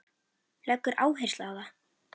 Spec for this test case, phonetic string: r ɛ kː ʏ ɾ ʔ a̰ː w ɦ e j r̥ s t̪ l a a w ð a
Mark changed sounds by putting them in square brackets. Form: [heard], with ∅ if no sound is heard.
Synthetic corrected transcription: [l] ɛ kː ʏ ɾ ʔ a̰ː w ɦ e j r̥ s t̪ l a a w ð a

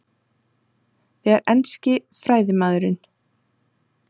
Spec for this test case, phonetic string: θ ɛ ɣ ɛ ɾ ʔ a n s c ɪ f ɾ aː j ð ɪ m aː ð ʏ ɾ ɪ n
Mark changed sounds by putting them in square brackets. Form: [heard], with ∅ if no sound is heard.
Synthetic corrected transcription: θ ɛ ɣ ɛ ɾ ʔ [ɛ] n s c ɪ f ɾ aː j ð ɪ m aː ð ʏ ɾ ɪ n

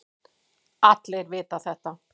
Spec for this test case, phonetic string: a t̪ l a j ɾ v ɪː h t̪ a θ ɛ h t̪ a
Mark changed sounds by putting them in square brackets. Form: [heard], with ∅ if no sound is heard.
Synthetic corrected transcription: a t̪ l [e] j ɾ v ɪː [∅] t̪ a θ ɛ h t̪ a

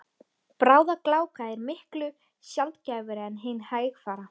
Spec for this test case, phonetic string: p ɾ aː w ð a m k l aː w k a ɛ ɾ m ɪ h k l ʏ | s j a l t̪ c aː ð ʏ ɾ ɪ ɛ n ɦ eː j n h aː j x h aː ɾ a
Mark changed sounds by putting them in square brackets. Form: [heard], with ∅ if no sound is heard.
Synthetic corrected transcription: p ɾ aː w ð a [∅] k l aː w k a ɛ ɾ m ɪ h k l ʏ | s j a l t̪ c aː [v] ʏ ɾ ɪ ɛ n ɦ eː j n h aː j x [f] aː ɾ a

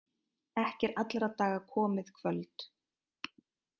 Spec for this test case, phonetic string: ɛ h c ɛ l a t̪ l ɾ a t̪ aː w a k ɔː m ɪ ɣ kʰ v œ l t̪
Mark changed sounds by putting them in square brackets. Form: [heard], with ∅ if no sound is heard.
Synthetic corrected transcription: ɛ h c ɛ [ɾ] a t̪ l ɾ a t̪ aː [ɣ] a [kʰ] ɔː m ɪ [ð] kʰ v œ l t̪

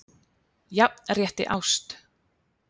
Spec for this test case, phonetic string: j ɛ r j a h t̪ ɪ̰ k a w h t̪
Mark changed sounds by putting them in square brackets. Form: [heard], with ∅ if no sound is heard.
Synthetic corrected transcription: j [a] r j [ɛ] h t̪ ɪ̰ [ʔ] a w [s] t̪

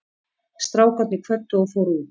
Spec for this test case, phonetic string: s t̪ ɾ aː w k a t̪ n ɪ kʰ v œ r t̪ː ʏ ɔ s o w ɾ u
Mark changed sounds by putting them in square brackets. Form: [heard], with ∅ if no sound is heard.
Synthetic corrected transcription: s t̪ ɾ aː w k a t̪ n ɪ kʰ v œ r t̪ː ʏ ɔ [f] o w ɾ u

